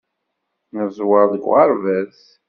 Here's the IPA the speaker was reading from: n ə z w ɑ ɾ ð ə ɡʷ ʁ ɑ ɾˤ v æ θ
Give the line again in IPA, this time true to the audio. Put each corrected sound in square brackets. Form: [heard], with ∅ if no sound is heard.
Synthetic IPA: n ə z w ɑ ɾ ð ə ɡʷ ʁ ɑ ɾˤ v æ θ